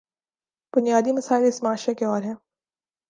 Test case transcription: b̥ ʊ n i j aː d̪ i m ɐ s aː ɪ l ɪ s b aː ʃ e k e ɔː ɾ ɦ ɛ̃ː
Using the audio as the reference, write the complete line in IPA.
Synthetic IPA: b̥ ʊ n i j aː d̪ i m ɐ s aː ɪ l ɪ s m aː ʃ e k e ɔː ɾ ɦ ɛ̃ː

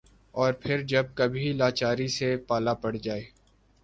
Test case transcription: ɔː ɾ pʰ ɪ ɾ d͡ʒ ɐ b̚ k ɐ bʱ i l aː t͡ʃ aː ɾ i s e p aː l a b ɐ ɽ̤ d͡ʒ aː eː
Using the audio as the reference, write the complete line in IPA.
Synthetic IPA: ɔː ɾ pʰ ɪ ɾ d͡ʒ ɐ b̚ k ɐ bʱ i l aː t͡ʃ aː ɾ i s e p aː l a p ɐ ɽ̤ d͡ʒ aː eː

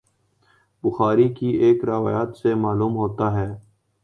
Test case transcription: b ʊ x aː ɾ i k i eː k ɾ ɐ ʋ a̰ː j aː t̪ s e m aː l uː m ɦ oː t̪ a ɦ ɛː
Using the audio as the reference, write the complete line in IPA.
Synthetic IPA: b ʊ x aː ɾ i k i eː k ɾ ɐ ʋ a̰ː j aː t̪ s e m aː l uː m ɦ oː t̪ a ɦ ɛː

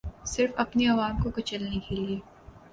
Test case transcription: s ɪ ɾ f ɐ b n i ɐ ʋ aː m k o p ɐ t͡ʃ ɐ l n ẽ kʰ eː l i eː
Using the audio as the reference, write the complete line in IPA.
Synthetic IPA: s ɪ ɾ f ɐ p n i ɐ ʋ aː m k o k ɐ t͡ʃ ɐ l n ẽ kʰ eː l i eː

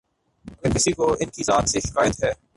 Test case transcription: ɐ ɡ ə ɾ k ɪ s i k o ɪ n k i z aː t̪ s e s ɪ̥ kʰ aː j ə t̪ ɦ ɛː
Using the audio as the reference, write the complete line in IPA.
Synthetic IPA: ɐ ɡ ə ɾ k ɪ s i k o ɪ n k i z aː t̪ s e ʃ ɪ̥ k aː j ə t̪ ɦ ɛː

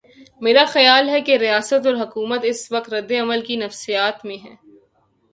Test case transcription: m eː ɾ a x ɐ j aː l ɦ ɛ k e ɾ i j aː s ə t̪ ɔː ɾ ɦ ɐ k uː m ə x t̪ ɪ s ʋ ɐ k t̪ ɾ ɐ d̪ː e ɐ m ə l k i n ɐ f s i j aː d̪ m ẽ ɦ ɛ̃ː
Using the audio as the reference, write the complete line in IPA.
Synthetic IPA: m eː ɾ a x ɐ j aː l ɦ ɛ k e ɾ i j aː s ə t̪ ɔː ɾ ɦ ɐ k uː m ə t̪ ɪ s ʋ ɐ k t̪ ɾ ɐ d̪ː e ɐ m ə l k i n ɐ f s i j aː t̪ m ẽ ɦ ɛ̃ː

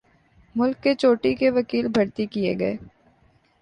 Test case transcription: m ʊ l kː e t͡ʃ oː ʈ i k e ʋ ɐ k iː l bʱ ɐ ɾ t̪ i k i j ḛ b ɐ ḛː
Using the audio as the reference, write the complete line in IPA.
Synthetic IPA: m ʊ l kː e t͡ʃ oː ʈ i k e ʋ ɐ k iː l bʱ ɐ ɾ t̪ i k i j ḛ ɡ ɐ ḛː

